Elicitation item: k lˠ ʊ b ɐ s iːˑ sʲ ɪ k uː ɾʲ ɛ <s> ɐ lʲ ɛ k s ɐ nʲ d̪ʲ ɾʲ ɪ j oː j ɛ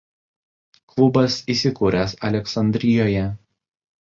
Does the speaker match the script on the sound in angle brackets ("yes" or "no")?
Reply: yes